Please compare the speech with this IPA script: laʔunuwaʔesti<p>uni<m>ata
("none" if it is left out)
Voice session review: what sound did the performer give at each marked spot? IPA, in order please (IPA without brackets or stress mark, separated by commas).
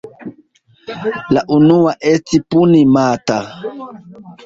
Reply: p, m